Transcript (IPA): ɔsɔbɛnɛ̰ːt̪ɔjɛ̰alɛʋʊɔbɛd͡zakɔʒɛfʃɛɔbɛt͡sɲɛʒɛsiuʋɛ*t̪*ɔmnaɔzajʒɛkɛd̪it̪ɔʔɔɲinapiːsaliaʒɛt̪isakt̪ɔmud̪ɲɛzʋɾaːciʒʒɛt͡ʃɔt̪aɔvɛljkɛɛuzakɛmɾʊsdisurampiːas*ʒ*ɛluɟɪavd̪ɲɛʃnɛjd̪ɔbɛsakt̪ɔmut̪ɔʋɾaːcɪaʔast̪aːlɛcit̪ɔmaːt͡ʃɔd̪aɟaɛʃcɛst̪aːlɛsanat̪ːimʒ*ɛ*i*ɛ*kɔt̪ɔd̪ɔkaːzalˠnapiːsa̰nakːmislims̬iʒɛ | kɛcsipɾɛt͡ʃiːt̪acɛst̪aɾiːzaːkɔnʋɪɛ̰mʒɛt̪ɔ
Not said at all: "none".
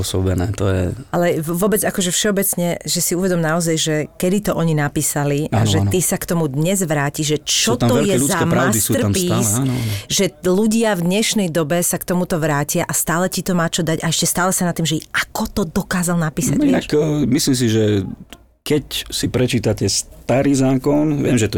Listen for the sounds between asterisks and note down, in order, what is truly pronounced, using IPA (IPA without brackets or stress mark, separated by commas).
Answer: d̪, ʒ, ɛ, a